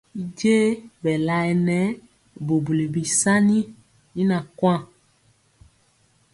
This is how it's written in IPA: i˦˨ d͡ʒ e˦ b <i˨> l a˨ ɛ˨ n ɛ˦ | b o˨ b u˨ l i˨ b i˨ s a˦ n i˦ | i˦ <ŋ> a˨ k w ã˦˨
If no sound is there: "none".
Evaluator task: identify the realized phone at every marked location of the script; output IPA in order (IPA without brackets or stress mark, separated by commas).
ɛ˨, n